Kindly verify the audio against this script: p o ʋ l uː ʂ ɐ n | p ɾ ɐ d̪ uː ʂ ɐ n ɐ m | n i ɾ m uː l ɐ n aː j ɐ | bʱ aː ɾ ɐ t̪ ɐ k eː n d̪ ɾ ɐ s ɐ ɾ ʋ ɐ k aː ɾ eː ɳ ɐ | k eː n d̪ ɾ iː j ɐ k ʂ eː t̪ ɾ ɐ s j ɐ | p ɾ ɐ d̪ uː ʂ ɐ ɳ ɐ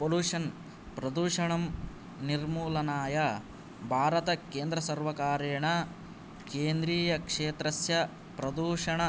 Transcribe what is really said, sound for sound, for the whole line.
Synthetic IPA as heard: p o l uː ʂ ɐ n | p ɾ ɐ d̪ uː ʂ ɐ ɳ ɐ m | n i ɾ m uː l ɐ n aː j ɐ | bʱ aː ɾ ɐ t̪ ɐ k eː n d̪ ɾ ɐ s ɐ ɾ ʋ ɐ k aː ɾ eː ɳ ɐ | k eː n d̪ ɾ iː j ɐ k ʂ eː t̪ ɾ ɐ s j ɐ | p ɾ ɐ d̪ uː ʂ ɐ ɳ ɐ